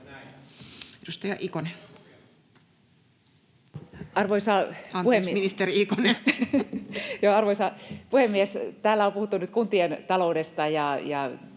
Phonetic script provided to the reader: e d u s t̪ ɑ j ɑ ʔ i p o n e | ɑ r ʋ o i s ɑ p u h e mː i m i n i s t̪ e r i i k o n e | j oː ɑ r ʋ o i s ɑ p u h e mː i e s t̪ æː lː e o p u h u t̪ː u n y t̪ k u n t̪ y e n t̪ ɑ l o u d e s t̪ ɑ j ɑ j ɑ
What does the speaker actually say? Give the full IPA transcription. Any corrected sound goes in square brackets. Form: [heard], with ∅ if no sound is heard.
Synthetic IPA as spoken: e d u s t̪ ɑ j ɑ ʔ i [k] o n e | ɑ r ʋ o i s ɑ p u h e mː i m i n i s t̪ e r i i k o n e | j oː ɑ r ʋ o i s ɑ p u h e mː i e s t̪ æː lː [æ] o p u h u t̪ː u n y t̪ k u n t̪ [i] e n t̪ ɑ l o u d e s t̪ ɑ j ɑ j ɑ